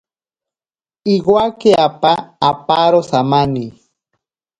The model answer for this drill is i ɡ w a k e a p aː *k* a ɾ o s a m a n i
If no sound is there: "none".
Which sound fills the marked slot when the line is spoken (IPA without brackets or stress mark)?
p